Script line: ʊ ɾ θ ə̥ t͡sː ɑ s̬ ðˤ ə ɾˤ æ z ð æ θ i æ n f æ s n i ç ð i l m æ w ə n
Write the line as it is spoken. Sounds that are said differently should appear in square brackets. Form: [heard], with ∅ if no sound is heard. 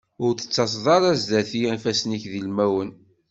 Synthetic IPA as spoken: ʊ ɾ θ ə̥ t͡sː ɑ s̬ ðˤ [ɑ] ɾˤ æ z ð æ θ i æ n f æ s n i ç ð i l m æ w ə n